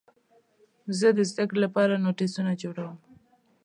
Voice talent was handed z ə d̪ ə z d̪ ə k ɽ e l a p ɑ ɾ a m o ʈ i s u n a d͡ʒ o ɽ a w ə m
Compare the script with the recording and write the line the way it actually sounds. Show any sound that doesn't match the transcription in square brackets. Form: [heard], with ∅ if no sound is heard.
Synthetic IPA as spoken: z ə d̪ ə z d̪ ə k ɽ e l a p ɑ ɾ a [n] o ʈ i s u n a d͡ʒ o ɽ a w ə m

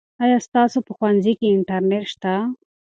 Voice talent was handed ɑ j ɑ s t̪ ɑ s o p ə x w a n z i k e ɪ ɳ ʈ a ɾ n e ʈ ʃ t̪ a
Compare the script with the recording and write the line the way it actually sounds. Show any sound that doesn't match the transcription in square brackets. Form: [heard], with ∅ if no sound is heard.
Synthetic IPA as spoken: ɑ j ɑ s t̪ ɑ s o p ə x w a n z i k e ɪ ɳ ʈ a ɾ n e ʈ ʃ t̪ a

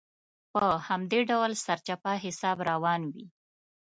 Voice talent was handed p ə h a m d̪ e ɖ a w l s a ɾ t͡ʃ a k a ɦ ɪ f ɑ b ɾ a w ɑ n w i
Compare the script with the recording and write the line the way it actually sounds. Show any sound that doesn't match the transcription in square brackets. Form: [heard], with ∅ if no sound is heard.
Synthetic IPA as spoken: p ə h a m d̪ e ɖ a w l s a ɾ t͡ʃ a [p] a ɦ ɪ [s] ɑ b ɾ a w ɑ n w i

